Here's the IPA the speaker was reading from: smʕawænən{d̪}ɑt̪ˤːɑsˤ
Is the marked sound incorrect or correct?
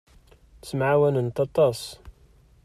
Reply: incorrect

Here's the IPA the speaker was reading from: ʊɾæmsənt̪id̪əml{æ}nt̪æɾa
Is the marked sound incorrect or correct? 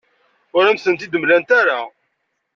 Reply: correct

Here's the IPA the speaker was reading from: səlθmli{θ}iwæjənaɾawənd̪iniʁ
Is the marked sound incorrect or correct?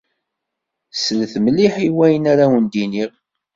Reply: incorrect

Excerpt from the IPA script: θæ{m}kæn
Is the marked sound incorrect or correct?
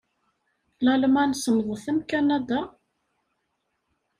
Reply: correct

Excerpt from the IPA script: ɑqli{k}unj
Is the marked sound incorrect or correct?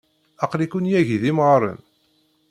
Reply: correct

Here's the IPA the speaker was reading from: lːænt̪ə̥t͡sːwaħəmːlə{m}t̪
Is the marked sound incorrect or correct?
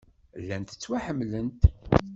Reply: incorrect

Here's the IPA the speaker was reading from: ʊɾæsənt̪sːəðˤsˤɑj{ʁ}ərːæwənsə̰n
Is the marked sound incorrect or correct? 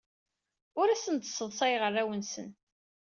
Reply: correct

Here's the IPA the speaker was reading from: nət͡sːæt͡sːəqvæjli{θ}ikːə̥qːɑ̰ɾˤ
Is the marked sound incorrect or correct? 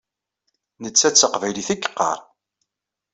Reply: correct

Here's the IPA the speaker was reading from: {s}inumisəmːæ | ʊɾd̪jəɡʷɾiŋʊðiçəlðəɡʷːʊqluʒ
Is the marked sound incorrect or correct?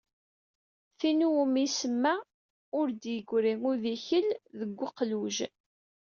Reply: incorrect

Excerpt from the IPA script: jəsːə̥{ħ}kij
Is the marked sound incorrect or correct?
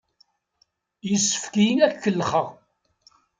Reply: incorrect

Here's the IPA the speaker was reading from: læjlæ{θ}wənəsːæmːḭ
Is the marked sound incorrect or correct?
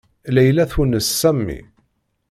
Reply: correct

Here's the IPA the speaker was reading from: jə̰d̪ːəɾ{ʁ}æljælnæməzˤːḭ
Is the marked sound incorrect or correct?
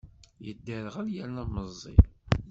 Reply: correct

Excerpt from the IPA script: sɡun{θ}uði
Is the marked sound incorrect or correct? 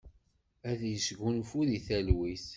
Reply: incorrect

